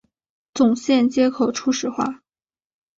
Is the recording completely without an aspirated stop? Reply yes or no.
no